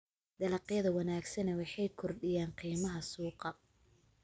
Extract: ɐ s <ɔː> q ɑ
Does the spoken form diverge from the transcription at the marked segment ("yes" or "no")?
yes